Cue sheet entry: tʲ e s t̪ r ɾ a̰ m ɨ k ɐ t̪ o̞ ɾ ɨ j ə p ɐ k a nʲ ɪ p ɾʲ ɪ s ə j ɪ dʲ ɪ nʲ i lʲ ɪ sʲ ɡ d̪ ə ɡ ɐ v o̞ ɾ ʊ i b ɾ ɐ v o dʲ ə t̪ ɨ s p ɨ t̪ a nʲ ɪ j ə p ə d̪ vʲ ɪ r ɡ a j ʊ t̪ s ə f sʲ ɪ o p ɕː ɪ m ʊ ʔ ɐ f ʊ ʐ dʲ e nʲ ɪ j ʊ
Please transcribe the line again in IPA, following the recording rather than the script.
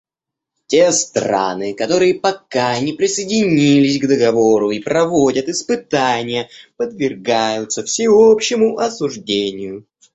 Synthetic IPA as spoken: tʲ e s t̪ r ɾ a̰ n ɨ k ɐ t̪ o̞ ɾ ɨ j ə p ɐ k a nʲ ɪ p ɾʲ ɪ s ə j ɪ dʲ ɪ nʲ i lʲ ɪ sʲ ɡ d̪ ə ɡ ɐ v o̞ ɾ ʊ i p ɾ ɐ v o dʲ ə t̪ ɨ s p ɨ t̪ a nʲ ɪ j ə p ə d̪ vʲ ɪ r ɡ a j ʊ t̪ s ə f sʲ ɪ o p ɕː ɪ m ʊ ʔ ɐ s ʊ ʐ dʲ e nʲ ɪ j ʊ